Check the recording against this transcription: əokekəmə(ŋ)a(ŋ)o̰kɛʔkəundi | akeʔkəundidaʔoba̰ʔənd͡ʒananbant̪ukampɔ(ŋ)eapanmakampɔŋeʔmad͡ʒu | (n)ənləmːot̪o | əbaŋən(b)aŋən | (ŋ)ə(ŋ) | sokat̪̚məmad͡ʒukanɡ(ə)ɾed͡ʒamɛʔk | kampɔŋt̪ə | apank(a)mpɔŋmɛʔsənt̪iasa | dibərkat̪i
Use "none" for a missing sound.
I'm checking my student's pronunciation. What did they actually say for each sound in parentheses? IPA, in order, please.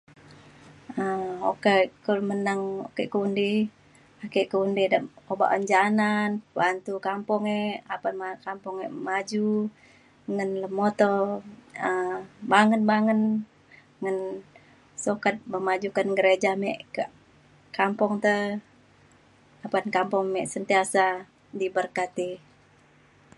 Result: n, ŋ, ŋ, ŋ, b, ŋ, n, ə, a

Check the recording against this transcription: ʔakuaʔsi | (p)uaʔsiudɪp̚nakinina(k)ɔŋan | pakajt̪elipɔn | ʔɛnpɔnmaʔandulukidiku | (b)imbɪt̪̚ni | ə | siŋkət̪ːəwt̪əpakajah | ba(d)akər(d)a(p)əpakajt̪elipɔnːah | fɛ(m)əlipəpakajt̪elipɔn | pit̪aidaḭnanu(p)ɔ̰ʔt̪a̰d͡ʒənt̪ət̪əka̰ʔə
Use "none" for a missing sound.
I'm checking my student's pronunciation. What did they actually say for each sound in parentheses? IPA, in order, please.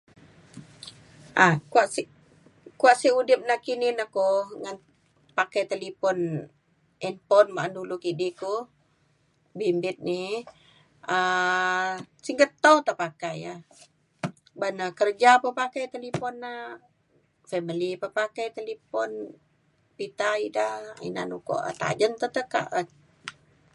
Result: k, k, b, n, d͡ʒ, p, m, k

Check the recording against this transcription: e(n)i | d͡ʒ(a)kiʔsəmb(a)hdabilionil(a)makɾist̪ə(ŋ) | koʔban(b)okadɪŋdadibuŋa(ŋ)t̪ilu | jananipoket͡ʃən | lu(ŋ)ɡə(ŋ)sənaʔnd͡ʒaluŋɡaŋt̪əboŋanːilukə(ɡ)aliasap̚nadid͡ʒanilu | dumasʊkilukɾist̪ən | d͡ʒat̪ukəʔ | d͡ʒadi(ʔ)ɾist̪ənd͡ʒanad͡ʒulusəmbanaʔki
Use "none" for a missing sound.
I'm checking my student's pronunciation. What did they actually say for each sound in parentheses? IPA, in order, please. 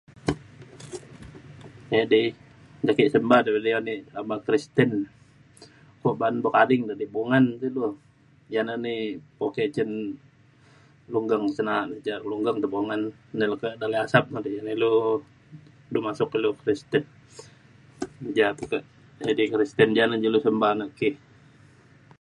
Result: d, a, a, a, n, b, n, ŋ, ŋ, d, k

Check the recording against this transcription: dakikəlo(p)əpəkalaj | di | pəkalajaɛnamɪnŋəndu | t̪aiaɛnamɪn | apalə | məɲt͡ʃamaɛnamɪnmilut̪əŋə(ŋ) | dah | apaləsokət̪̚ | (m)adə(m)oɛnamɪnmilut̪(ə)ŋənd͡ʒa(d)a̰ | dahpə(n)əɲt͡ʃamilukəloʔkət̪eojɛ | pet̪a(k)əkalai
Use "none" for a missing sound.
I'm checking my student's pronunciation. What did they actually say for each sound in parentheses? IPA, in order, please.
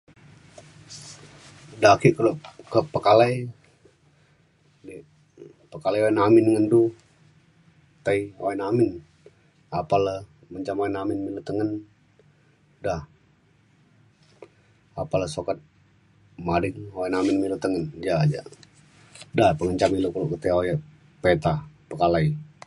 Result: k, n, m, ŋ, ə, d͡ʒ, ŋ, p

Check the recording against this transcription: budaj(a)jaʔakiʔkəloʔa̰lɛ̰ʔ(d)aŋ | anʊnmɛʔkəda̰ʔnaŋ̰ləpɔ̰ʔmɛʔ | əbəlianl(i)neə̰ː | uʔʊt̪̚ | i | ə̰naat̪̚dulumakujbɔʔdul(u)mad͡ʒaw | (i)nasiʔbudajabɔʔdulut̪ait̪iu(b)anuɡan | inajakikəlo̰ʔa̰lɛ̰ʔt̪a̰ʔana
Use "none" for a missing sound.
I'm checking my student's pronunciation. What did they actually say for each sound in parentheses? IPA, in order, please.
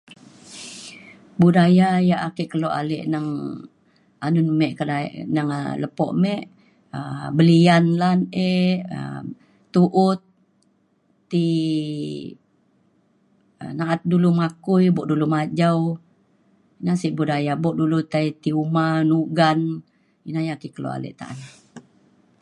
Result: a, n, a, u, i, m

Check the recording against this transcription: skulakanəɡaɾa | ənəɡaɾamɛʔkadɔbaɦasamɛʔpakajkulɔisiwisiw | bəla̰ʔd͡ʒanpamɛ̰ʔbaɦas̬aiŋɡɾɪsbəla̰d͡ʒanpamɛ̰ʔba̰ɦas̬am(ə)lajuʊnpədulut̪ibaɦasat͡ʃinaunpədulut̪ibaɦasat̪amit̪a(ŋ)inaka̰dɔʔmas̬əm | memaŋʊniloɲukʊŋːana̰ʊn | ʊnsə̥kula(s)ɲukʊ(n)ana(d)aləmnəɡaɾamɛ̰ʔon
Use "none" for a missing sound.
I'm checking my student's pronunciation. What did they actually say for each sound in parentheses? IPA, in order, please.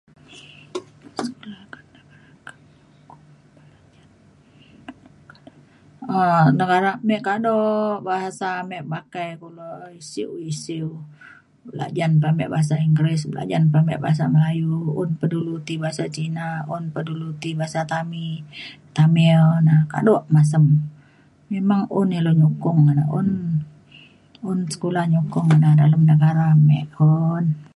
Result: ə, m, h, ŋ, d

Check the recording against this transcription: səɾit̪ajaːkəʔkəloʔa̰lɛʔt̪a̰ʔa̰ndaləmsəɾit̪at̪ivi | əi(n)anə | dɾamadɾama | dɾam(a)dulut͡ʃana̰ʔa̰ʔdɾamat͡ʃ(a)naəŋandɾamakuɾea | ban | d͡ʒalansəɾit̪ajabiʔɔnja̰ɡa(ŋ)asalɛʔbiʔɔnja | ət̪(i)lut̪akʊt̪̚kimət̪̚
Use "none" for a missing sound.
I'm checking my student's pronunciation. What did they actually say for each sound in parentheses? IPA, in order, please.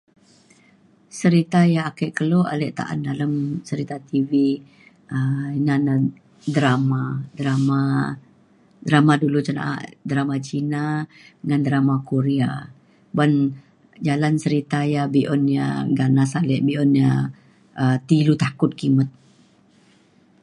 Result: n, a, i, n, i

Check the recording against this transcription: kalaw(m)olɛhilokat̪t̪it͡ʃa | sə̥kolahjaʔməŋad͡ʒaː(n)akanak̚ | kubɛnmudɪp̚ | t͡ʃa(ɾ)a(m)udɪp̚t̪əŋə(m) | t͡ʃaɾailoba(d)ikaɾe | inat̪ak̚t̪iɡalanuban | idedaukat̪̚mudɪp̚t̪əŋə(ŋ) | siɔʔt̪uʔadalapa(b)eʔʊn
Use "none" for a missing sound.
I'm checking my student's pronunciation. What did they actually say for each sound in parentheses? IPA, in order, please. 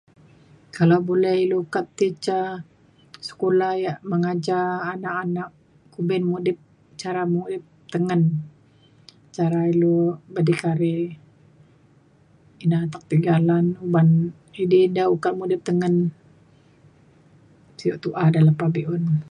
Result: b, n, ɾ, m, n, d, n, b

